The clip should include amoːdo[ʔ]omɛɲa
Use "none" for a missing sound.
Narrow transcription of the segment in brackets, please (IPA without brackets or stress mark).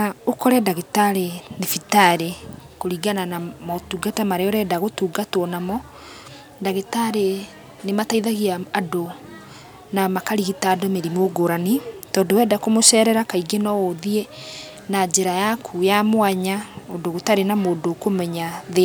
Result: k